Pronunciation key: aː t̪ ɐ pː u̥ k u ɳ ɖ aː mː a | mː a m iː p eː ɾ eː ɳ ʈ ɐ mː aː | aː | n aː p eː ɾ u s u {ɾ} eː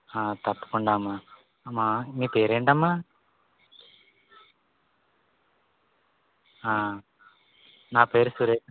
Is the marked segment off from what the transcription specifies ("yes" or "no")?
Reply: no